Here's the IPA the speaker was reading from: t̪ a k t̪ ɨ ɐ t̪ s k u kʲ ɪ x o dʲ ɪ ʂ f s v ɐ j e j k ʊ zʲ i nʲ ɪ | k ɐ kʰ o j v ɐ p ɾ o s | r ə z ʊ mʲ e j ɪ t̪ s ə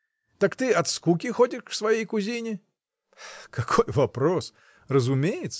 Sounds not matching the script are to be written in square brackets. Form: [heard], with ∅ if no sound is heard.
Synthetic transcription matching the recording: t̪ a k t̪ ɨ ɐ t̪ s k u kʲ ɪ x o dʲ ɪ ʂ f s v ɐ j e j k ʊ zʲ i nʲ ɪ | k ɐ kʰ o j v ɐ p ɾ o s | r ə z ʊ mʲ e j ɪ t̪ s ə

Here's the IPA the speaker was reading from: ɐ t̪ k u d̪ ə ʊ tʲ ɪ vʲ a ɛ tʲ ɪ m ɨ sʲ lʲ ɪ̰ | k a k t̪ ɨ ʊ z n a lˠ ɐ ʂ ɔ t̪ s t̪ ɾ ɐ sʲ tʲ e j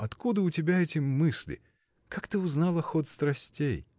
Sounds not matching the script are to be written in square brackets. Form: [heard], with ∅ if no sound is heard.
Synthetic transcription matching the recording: ɐ t̪ k u d̪ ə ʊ tʲ ɪ [bʲ] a ɛ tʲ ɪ m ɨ sʲ lʲ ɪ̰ | k a k t̪ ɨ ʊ z n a lˠ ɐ [x] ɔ t̪ s t̪ ɾ ɐ sʲ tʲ e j

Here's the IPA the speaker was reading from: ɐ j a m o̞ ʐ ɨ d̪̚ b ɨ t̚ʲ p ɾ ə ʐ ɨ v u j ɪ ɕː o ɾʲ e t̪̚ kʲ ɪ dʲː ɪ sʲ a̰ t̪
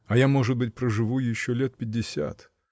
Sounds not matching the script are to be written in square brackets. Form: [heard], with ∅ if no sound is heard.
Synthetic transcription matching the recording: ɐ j a m o̞ ʐ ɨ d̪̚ b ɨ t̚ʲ p ɾ ə ʐ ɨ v u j ɪ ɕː o [lʲ] e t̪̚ [pʲ] ɪ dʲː ɪ sʲ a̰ t̪

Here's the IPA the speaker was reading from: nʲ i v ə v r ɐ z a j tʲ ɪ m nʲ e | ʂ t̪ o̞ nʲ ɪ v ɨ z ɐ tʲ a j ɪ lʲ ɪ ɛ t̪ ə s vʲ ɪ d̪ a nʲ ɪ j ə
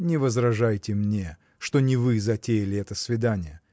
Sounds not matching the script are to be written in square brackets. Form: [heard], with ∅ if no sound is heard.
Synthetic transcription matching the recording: nʲ [ɪ] v ə [z] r ɐ [ʐ] a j tʲ ɪ m nʲ e | ʂ t̪ o̞ nʲ ɪ v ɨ z ɐ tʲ [e] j ɪ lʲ ɪ ɛ t̪ ə s vʲ ɪ d̪ a nʲ ɪ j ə

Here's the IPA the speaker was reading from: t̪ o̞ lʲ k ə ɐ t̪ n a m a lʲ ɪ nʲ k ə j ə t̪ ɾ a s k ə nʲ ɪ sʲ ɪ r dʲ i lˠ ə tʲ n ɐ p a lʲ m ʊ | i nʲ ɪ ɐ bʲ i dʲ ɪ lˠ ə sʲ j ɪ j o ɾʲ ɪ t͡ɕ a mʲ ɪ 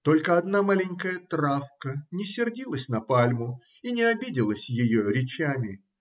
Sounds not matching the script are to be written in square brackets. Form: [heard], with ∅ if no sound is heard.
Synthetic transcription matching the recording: t̪ o̞ lʲ k ə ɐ [d̪] n a m a lʲ ɪ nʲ k ə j ə t̪ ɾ a [f] k ə nʲ ɪ sʲ ɪ r dʲ i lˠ ə [sʲ] n ɐ p a lʲ m ʊ | i nʲ ɪ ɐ bʲ i dʲ ɪ lˠ ə sʲ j ɪ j o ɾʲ ɪ t͡ɕ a mʲ ɪ

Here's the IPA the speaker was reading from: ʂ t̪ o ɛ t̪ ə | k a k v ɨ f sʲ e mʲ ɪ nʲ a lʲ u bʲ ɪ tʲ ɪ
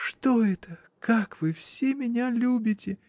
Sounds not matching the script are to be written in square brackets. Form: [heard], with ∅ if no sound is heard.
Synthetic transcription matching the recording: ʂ t̪ o ɛ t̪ ə | k a k v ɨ f sʲ e mʲ ɪ nʲ a lʲ u bʲ ɪ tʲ ɪ

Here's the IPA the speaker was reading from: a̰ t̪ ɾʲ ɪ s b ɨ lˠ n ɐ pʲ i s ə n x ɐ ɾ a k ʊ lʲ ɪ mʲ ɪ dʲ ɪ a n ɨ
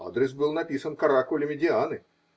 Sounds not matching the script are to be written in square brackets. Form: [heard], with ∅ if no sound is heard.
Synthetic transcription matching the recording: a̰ [d̪] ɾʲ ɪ s b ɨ lˠ n ɐ pʲ i s ə n [k] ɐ ɾ a k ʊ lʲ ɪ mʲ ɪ dʲ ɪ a n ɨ

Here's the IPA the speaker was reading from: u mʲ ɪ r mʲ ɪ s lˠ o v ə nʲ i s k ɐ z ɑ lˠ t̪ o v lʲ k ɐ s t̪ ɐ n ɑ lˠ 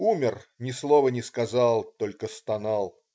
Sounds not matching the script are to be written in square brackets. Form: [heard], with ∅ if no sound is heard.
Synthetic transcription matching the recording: u mʲ ɪ r [nʲ] ɪ s lˠ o v ə nʲ [ɪ] s k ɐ z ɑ lˠ t̪ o [∅] lʲ k [ə] s t̪ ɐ n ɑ lˠ

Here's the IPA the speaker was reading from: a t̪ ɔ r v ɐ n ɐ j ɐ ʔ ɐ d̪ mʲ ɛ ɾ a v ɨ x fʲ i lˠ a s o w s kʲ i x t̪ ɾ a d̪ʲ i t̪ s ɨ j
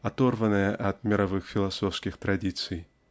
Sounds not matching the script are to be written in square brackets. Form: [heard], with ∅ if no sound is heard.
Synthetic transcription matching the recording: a t̪ ɔ r v ɐ n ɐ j ɐ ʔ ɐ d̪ mʲ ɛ ɾ a v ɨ x fʲ i lˠ a s [ɔ] w s kʲ i x t̪ ɾ a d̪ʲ i t̪ s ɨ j

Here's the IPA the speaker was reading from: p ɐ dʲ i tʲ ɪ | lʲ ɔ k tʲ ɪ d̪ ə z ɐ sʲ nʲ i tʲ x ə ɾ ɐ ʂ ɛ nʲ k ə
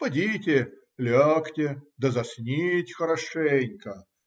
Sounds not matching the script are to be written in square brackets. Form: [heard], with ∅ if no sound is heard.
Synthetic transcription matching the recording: p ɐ dʲ i tʲ ɪ | lʲ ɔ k tʲ ɪ d̪ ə z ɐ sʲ nʲ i tʲ x ə ɾ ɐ ʂ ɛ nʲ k ə

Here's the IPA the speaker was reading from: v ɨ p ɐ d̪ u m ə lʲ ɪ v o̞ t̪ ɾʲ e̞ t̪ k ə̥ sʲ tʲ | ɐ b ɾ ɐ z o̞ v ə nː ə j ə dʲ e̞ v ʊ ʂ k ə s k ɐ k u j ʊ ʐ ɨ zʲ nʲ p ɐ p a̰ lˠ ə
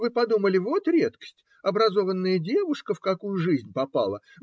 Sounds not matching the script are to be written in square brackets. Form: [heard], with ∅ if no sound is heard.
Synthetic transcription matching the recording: v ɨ p ɐ d̪ u m ə lʲ ɪ v o̞ t̪ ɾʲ e̞ t̪ k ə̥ sʲ tʲ | ɐ b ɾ ɐ z o̞ v ə nː ə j ə dʲ e̞ v ʊ ʂ k ə [f] k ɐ k u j ʊ ʐ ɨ zʲ nʲ p ɐ p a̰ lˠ ə

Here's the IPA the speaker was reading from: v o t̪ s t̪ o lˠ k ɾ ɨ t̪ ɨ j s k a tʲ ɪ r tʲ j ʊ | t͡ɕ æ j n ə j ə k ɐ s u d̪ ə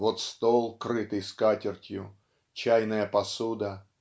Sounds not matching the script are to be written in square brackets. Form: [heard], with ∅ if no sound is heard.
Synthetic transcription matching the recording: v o t̪ s t̪ o lˠ k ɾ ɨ t̪ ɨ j s k a tʲ ɪ r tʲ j ʊ | t͡ɕ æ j n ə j ə [p] ɐ s u d̪ ə

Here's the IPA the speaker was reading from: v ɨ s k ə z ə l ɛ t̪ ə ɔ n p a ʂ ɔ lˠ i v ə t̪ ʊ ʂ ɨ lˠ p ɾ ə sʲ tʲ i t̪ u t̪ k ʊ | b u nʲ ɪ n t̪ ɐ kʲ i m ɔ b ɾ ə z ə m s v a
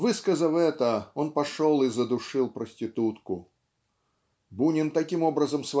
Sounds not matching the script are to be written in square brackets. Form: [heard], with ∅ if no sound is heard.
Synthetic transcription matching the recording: v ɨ s k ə z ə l ɛ t̪ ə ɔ n p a ʂ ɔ lˠ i [z] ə [d̪] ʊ ʂ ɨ lˠ p ɾ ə sʲ tʲ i t̪ u t̪ k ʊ | b u nʲ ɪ n t̪ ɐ kʲ i m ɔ b ɾ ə z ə m s v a

